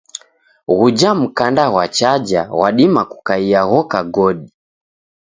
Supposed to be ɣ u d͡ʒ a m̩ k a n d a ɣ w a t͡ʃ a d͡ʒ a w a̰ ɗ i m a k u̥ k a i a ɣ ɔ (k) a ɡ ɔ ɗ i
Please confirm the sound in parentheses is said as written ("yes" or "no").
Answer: yes